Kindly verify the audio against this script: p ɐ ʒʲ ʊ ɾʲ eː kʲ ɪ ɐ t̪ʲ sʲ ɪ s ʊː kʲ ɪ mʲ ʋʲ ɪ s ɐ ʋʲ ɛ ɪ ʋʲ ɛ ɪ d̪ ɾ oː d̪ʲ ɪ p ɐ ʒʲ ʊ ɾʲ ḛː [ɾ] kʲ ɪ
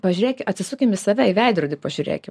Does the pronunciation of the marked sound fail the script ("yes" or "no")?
yes